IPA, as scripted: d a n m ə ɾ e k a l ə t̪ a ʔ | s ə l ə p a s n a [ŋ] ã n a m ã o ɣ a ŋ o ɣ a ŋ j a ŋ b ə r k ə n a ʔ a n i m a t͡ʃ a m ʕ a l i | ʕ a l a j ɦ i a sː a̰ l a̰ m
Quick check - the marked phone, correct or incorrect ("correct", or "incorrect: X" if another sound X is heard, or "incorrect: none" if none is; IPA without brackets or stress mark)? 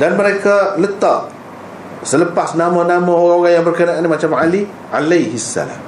incorrect: m